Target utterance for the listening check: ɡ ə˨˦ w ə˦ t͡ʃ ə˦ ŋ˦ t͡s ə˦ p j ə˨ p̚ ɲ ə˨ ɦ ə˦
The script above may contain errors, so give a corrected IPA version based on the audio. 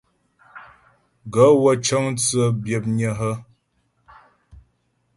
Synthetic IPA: ɡ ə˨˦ w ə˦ t͡ʃ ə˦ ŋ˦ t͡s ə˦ b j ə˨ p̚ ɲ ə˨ ɦ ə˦